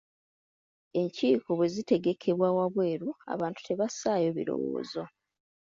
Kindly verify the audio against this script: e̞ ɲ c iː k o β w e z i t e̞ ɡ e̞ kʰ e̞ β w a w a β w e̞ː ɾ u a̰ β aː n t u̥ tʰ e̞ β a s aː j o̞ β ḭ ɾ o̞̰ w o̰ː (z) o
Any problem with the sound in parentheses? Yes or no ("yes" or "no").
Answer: no